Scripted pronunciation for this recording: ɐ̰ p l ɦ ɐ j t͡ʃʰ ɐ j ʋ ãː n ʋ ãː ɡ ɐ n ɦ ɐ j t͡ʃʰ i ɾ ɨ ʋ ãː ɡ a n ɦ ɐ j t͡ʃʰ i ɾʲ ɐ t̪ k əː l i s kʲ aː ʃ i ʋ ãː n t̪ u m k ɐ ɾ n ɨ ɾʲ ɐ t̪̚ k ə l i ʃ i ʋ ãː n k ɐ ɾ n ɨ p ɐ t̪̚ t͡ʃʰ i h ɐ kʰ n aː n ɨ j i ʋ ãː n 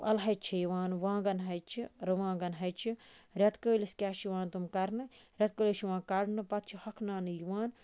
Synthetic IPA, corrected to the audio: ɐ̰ l ɦ ɐ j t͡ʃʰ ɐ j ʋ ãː n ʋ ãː ɡ ɐ n ɦ ɐ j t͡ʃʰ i ɾ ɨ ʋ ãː ɡ ɐ n ɦ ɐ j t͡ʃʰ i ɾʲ ɐ t̪ k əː l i s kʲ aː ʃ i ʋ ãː n t̪ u m k ɐ ɾ n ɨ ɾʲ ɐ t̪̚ k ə l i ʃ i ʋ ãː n k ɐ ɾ n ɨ p ɐ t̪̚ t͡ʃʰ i h ɐ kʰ n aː n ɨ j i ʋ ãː n